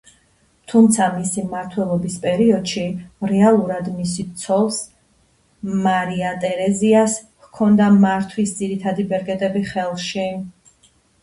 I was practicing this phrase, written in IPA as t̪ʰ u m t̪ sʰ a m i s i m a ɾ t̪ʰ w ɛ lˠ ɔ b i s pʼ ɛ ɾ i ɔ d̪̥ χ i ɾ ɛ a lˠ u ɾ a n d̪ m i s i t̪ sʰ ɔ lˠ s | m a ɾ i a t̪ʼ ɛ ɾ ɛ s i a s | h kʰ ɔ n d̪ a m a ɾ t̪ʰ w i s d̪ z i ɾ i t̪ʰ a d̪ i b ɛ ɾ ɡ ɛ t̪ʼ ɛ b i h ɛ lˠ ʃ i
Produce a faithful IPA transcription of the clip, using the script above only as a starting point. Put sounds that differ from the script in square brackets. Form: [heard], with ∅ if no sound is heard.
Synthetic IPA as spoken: t̪ʰ u m t̪ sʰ a m i s i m a ɾ t̪ʰ w ɛ lˠ ɔ b i s pʼ ɛ ɾ i ɔ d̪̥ [ʃ] i ɾ ɛ a lˠ u ɾ a [∅] d̪ m i s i t̪ sʰ ɔ lˠ s | m a ɾ i a t̪ʼ ɛ ɾ ɛ [z] i a s | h kʰ ɔ n d̪ a m a ɾ t̪ʰ w i s d̪ z i ɾ i t̪ʰ a d̪ i b ɛ ɾ ɡ ɛ t̪ʼ ɛ b i [χ] ɛ lˠ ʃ i

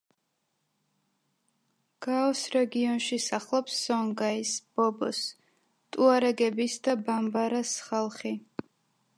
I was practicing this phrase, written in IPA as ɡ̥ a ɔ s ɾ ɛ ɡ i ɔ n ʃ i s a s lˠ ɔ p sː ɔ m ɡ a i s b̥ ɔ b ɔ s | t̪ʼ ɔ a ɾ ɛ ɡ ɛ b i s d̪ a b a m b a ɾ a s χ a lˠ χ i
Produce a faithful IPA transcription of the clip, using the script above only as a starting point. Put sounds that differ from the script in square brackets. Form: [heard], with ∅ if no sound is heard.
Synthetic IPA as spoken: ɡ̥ a ɔ s ɾ ɛ ɡ i ɔ n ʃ i s a [χ] lˠ ɔ p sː ɔ [ŋ] ɡ a i s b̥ ɔ b ɔ s | t̪ʼ [u] a ɾ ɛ ɡ ɛ b i s d̪ a b a m b a ɾ a s χ a lˠ χ i

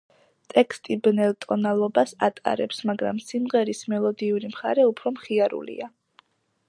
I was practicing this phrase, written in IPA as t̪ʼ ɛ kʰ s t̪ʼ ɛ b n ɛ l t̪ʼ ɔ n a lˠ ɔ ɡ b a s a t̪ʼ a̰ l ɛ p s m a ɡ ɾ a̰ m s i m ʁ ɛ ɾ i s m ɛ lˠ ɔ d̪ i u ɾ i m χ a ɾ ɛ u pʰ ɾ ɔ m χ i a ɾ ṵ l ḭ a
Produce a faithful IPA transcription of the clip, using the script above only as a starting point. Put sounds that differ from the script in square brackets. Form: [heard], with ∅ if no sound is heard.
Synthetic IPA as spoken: t̪ʼ ɛ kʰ s t̪ʼ [i] b n ɛ l t̪ʼ ɔ n a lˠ ɔ [∅] b a s a t̪ʼ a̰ [ɾ] ɛ p s m a ɡ ɾ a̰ m s i m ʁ ɛ ɾ i s m ɛ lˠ ɔ d̪ i u ɾ i m χ a ɾ ɛ u pʰ ɾ ɔ m χ i a ɾ ṵ l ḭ a

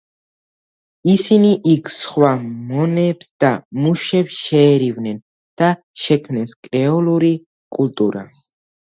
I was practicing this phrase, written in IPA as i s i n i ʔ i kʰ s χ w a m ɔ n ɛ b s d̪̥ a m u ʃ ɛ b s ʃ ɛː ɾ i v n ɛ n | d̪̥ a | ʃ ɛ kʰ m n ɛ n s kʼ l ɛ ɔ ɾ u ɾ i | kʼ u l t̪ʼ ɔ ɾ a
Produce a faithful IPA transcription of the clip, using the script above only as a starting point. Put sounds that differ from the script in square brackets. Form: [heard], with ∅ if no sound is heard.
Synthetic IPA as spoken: i s i n i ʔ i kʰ s χ w a m ɔ n ɛ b s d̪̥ a m u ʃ ɛ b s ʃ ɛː ɾ i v n ɛ n | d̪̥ a | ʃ ɛ kʰ m n ɛ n s kʼ [ɾ] ɛ ɔ [l] u ɾ i | kʼ u l t̪ʼ [u] ɾ a

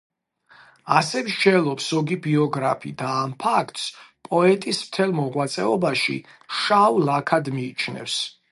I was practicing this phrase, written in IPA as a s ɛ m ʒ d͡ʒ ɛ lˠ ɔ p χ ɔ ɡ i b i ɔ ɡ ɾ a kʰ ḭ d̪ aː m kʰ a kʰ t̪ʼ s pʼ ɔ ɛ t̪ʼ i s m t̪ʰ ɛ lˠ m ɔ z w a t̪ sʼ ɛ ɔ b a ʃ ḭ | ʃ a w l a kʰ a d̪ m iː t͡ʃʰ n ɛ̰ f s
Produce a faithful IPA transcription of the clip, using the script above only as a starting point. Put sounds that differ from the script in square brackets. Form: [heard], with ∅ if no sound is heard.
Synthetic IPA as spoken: a s ɛ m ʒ d͡ʒ ɛ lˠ ɔ p [s] ɔ ɡ i b i ɔ ɡ ɾ a [pʰ] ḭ d̪ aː m [pʰ] a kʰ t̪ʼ s pʼ ɔ ɛ t̪ʼ i s m t̪ʰ ɛ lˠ m ɔ [ʁ] w a t̪ sʼ ɛ ɔ b a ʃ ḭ | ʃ a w l a kʰ a d̪ m iː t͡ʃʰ n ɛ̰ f s

